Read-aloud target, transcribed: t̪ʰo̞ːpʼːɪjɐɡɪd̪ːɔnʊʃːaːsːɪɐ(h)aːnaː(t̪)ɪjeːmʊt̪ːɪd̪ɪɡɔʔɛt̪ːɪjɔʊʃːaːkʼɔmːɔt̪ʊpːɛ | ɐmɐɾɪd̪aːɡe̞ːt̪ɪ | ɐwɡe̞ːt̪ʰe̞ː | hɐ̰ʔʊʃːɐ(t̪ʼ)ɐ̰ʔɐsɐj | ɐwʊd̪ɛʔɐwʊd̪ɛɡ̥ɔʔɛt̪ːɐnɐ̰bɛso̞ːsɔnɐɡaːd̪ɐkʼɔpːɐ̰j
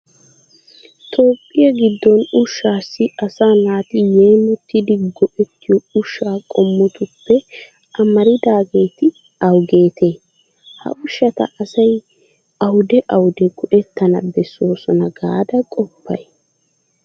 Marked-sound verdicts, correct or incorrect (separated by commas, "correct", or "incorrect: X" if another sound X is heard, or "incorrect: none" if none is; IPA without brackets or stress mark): incorrect: s, correct, incorrect: t̪